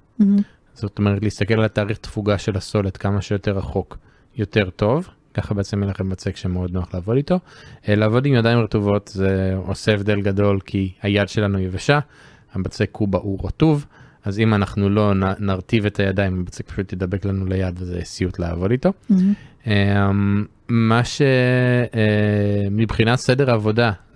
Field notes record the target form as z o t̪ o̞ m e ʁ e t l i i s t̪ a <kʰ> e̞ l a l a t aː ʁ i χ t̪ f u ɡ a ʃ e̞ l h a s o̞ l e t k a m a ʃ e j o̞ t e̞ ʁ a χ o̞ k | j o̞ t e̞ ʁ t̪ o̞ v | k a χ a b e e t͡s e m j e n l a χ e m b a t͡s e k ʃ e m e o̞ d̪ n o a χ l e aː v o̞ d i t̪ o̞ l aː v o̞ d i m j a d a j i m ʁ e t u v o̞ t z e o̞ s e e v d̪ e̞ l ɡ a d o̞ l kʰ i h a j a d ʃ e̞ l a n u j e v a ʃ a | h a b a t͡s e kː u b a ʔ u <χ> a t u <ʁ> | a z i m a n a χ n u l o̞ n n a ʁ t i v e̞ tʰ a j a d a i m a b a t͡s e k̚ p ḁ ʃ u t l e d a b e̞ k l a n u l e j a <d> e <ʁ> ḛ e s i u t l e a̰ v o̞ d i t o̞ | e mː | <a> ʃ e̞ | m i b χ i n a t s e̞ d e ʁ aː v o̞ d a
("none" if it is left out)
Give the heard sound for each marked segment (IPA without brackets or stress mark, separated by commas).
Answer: k, ʁ, v, d, z, a